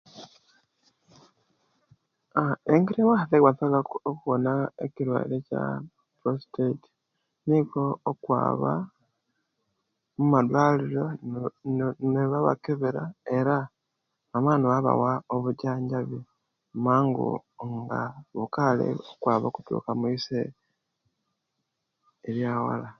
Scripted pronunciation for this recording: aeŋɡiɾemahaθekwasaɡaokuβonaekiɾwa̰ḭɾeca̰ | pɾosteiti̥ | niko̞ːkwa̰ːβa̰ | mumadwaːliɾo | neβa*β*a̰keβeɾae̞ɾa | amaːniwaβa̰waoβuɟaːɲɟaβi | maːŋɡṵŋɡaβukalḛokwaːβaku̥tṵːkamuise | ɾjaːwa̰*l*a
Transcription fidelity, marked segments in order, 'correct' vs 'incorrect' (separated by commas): correct, correct